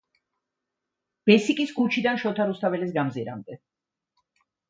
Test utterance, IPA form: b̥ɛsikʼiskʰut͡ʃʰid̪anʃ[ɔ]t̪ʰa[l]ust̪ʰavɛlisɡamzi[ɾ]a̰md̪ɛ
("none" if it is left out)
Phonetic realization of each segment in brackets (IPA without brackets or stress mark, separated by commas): ɔ, ɾ, ɾ